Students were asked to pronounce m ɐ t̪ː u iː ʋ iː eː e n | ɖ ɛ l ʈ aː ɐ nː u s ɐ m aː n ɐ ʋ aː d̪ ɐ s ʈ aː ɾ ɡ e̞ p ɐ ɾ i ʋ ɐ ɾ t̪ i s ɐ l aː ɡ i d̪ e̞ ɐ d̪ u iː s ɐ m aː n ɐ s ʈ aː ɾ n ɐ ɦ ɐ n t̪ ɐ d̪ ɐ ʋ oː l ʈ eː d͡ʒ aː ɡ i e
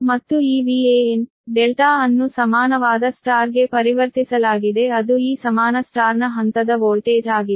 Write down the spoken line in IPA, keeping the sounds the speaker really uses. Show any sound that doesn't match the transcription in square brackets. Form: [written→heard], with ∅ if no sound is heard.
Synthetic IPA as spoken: m ɐ t̪ː u iː ʋ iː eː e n | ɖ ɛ l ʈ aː ɐ nː u s ɐ m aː n ɐ ʋ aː d̪ ɐ s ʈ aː ɾ ɡ e̞ p ɐ ɾ i ʋ ɐ ɾ t̪ i s ɐ l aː ɡ i d̪ e̞ ɐ d̪ u iː s ɐ m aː n ɐ s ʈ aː ɾ n ɐ ɦ ɐ n t̪ ɐ d̪ ɐ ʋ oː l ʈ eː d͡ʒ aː ɡ i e